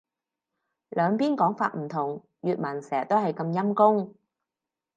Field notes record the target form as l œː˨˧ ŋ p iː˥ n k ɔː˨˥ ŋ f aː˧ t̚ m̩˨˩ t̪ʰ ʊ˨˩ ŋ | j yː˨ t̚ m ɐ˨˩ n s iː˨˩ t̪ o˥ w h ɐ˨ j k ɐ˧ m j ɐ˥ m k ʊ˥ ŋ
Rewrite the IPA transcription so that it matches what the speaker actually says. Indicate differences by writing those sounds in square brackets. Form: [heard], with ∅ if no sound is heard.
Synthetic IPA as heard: l œː˨˧ ŋ p iː˥ n k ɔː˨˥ ŋ f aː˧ t̚ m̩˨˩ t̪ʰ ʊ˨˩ ŋ | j yː˨ t̚ m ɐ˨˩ n s [ɛː˨˩] t̪ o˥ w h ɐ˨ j k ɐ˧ m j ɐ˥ m k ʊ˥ ŋ

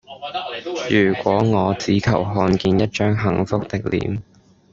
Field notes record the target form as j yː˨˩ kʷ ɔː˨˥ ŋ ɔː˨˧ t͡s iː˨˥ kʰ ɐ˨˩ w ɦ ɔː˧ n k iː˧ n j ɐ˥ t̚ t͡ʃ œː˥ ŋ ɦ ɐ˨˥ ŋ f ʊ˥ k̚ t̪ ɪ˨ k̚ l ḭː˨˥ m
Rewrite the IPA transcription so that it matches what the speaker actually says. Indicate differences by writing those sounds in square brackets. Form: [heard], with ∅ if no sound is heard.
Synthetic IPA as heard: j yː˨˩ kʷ ɔː˨˥ ŋ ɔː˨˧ t͡s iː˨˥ kʰ ɐ˨˩ w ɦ ɔː˧ n k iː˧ n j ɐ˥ t̚ t͡ʃ œː˥ ŋ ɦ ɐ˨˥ ŋ f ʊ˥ k̚ t̪ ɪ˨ k̚ l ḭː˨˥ m

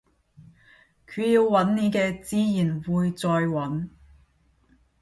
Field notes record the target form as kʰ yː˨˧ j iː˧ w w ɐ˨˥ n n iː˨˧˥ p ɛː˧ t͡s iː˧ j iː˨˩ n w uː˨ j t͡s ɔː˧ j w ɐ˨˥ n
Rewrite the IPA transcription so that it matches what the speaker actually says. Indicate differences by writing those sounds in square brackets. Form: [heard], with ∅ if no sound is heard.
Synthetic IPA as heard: kʰ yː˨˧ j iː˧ w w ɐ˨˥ n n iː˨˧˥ [k] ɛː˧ t͡s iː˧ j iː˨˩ n w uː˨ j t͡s ɔː˧ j w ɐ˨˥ n

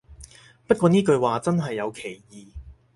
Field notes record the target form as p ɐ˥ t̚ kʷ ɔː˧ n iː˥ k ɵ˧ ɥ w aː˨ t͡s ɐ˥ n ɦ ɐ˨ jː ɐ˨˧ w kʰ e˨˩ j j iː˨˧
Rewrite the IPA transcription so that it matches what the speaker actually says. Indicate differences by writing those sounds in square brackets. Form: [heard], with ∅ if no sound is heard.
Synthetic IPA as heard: p ɐ˥ t̚ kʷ ɔː˧ n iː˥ k ɵ˧ ɥ w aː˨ t͡s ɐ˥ n ɦ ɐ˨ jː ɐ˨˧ w kʰ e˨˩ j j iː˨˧

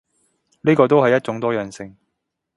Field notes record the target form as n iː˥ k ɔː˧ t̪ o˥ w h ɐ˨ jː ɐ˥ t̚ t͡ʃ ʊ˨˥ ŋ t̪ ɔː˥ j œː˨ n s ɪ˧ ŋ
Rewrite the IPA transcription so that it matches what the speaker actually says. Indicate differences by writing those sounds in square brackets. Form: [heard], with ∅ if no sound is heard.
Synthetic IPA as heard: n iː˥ k ɔː˧ t̪ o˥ w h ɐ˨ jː ɐ˥ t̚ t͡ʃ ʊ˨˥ ŋ t̪ ɔː˥ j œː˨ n s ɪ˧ ŋ

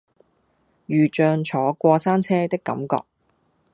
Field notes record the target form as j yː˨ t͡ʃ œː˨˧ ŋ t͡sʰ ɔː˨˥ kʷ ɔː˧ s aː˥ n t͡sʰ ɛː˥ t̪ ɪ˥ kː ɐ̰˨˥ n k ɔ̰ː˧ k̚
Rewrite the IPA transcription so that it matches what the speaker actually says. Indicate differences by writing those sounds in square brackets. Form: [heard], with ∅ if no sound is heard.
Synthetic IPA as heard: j yː˨ t͡ʃ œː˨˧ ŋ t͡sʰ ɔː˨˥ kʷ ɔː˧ s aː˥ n t͡sʰ ɛː˥ t̪ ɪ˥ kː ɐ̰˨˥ [m] k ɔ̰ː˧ k̚

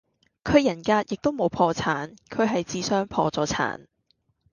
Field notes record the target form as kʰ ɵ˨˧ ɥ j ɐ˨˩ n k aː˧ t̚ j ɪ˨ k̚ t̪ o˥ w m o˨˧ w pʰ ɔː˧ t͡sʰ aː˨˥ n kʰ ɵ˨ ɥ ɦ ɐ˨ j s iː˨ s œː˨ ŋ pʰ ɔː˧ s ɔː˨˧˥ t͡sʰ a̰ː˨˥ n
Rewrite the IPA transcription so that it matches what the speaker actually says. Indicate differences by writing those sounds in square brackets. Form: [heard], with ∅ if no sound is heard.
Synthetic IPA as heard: kʰ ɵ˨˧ ɥ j ɐ˨˩ n k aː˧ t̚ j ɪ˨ k̚ t̪ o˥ w m o˨˧ w pʰ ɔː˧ t͡sʰ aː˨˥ n kʰ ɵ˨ ɥ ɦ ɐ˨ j [t͡s] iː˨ s [œː˥] ŋ pʰ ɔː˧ [t͡s] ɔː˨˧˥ t͡sʰ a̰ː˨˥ n

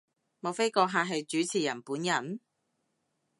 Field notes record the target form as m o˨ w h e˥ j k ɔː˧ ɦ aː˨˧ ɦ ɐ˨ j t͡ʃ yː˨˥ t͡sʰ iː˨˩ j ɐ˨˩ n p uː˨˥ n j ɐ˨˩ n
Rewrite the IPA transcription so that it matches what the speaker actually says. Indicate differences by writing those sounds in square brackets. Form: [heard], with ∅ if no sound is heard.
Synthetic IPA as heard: m o˨ w [f] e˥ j k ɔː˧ ɦ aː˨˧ ɦ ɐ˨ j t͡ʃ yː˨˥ t͡sʰ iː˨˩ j ɐ˨˩ n p uː˨˥ n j ɐ˨˩ n

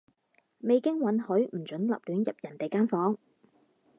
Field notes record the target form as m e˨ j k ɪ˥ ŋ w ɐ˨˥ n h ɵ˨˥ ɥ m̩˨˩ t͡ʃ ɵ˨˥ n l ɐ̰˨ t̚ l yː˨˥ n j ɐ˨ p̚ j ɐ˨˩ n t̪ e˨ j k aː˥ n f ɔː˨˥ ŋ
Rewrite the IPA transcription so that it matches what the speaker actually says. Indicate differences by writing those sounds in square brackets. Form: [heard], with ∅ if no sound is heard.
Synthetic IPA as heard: m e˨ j k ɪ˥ ŋ w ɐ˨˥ n h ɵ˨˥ ɥ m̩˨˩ t͡ʃ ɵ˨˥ n l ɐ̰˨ [p̚] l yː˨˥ n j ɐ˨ p̚ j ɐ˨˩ n t̪ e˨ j k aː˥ n f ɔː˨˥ ŋ

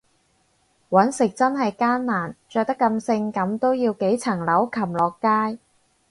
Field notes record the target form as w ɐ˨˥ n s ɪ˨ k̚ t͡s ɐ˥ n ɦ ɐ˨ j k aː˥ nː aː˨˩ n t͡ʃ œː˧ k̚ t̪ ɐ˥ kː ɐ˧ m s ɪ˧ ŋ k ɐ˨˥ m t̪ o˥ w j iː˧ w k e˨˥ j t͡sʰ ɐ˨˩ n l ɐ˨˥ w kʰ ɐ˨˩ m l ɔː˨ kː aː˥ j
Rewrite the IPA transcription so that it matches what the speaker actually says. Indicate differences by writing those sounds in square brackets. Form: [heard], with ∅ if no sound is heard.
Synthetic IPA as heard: w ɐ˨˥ n s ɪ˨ k̚ t͡s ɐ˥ n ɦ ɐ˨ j k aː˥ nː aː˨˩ n t͡ʃ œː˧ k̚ t̪ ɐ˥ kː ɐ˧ m s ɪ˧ ŋ k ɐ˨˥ m t̪ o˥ w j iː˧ w k e˨˥ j t͡sʰ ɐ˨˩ [ŋ] l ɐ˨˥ w kʰ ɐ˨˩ m l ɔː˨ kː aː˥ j

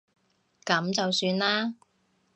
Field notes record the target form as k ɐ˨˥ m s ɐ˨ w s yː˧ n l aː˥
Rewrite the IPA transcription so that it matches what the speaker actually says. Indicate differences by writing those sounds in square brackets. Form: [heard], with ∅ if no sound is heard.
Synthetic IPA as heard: k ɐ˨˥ m [t͡s] ɐ˨ w s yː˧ n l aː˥

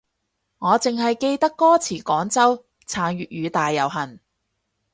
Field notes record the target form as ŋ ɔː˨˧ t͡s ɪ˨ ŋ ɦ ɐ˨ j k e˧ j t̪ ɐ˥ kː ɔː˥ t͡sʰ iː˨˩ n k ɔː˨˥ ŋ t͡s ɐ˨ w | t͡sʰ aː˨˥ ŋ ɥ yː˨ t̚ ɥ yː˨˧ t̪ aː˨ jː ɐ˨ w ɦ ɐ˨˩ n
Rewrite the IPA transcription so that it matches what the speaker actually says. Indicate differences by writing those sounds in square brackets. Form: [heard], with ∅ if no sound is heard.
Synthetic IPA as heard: ŋ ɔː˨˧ t͡s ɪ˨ ŋ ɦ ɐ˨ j k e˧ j t̪ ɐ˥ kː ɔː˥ t͡sʰ iː˨˩ [∅] k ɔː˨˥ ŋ t͡s [ɐ˥] w | t͡sʰ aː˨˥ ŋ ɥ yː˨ t̚ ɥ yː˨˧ t̪ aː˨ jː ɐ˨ w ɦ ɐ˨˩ n

